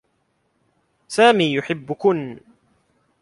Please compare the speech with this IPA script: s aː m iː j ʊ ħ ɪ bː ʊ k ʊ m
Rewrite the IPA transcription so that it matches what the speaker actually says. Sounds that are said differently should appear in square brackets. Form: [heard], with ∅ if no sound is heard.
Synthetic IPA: s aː m iː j ʊ ħ ɪ bː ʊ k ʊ [n]